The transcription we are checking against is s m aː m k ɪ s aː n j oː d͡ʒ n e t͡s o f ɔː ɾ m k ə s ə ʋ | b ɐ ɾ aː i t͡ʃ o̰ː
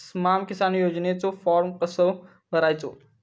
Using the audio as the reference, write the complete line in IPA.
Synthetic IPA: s m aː m k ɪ s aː n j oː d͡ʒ n e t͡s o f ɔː ɾ m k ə s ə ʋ | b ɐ ɾ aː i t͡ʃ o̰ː